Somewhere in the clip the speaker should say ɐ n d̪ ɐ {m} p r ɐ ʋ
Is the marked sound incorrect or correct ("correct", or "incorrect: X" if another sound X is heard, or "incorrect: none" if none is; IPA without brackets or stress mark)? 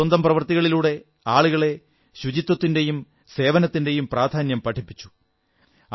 correct